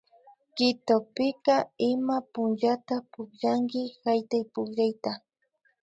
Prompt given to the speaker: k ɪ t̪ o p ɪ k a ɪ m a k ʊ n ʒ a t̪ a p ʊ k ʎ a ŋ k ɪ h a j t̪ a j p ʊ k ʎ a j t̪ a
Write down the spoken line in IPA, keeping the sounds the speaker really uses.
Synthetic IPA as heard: k ɪ t̪ o p ɪ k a ɪ m a p ʊ n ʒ a t̪ a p ʊ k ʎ a ŋ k ɪ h a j t̪ a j p ʊ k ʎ a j t̪ a